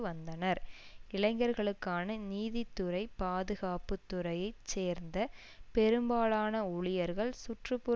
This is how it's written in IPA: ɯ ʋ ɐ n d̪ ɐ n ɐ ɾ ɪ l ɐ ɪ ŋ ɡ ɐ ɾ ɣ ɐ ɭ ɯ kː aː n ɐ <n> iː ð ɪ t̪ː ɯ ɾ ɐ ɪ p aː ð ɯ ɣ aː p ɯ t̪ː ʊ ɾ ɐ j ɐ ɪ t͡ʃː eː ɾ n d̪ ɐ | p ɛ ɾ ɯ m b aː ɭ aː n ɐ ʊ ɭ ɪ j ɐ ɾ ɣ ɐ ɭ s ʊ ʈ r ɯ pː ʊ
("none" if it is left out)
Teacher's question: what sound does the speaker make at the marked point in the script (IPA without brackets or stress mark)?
n